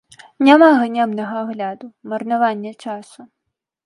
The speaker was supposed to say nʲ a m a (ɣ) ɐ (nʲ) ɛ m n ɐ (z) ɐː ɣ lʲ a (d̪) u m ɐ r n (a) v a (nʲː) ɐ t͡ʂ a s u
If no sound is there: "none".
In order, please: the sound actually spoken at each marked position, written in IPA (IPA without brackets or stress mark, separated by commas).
ɣ, nʲ, ɣ, d̪, a, nʲː